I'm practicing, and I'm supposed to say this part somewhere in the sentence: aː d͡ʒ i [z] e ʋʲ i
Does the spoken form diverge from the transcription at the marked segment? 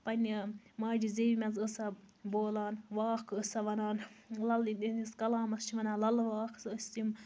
no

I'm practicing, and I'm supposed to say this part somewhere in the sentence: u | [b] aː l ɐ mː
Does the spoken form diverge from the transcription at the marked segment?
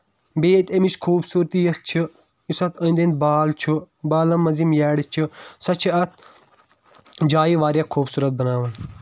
no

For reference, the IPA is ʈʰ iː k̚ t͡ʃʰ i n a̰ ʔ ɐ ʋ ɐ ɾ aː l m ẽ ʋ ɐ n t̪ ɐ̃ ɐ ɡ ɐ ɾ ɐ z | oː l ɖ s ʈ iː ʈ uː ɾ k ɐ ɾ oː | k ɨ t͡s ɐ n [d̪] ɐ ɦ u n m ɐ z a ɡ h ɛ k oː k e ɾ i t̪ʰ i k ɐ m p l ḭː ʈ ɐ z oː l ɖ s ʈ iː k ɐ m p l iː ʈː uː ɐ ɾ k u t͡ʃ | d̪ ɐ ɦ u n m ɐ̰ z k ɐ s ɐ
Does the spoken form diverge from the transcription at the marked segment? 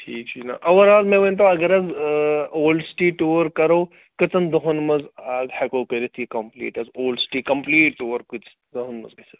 no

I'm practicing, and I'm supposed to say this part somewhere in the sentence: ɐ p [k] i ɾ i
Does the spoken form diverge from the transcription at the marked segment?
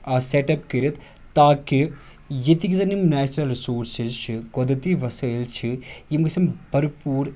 no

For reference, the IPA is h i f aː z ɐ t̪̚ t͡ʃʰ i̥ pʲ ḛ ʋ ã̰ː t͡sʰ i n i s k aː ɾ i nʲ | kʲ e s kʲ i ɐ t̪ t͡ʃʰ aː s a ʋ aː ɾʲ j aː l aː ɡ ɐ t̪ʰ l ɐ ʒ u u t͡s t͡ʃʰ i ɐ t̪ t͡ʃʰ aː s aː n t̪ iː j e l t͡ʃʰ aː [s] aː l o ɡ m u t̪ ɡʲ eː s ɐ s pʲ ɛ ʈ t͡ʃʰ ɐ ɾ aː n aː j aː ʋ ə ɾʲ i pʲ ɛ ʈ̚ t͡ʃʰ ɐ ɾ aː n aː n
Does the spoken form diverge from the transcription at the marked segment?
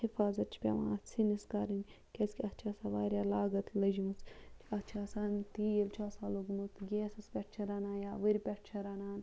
no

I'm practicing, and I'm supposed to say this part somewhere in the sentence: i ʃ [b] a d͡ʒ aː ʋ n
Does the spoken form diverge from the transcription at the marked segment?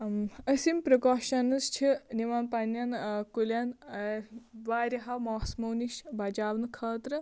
no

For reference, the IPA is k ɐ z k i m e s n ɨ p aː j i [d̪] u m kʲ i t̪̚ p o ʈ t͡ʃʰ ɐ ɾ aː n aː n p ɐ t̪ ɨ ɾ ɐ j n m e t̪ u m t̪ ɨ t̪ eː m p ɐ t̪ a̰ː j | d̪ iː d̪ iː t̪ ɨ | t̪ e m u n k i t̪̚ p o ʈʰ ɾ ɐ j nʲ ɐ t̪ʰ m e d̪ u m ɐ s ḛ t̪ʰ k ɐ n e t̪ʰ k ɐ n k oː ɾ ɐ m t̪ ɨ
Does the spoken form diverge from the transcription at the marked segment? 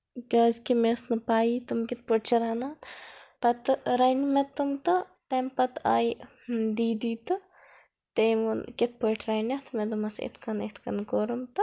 yes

